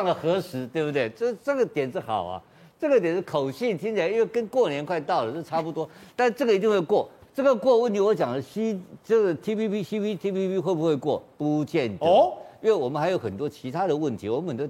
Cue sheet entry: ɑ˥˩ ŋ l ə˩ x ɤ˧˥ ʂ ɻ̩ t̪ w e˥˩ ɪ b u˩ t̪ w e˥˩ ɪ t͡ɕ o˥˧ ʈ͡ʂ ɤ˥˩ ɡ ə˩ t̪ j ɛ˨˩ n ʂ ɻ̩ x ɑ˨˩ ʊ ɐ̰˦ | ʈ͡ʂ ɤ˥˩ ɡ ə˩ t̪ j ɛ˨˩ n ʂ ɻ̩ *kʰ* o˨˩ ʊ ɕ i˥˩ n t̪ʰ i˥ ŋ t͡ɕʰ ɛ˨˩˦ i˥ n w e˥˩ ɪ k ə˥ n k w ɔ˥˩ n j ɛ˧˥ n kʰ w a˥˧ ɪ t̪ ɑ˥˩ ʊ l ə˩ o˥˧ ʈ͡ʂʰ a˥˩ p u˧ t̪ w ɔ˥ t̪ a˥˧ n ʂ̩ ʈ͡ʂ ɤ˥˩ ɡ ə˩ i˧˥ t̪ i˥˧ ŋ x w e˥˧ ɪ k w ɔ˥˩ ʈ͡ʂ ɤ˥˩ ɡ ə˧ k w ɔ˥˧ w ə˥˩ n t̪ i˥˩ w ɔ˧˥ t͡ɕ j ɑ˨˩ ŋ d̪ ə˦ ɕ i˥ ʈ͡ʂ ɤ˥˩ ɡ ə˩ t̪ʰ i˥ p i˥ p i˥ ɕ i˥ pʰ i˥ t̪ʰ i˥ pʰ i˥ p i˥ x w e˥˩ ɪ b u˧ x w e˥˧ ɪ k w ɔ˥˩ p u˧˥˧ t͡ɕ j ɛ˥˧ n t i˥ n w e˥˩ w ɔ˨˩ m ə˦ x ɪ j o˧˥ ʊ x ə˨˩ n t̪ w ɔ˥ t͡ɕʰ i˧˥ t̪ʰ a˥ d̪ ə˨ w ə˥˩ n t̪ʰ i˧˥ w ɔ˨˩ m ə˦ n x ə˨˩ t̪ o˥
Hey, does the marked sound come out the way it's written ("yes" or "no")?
yes